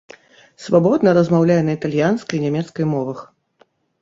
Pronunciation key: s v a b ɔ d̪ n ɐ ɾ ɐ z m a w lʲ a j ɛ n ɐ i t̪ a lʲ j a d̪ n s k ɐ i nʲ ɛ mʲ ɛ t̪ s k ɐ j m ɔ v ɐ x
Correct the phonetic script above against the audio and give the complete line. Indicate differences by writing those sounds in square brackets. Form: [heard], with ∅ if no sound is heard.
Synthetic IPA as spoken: s v a b ɔ d̪ n ɐ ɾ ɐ z m a w lʲ a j ɛ n ɐ i t̪ a lʲ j a [∅] n s k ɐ [j] nʲ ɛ mʲ ɛ t̪ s k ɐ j m ɔ v ɐ x